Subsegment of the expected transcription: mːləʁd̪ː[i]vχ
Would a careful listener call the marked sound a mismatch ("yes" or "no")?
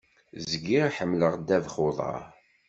yes